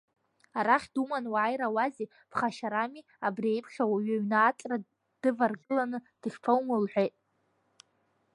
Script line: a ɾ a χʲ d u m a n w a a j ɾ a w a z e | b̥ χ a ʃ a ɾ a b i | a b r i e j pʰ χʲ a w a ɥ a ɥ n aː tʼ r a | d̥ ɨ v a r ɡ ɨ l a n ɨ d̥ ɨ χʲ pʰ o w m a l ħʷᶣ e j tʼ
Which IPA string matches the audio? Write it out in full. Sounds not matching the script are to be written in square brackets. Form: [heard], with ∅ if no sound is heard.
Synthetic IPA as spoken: a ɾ a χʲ d u m a n w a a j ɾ a w a z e | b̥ χ a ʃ a ɾ a [m] i | a b r i e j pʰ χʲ a w a ɥ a ɥ n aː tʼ r a | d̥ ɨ v a r ɡ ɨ l a n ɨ d̥ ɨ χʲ pʰ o w m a l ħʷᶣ e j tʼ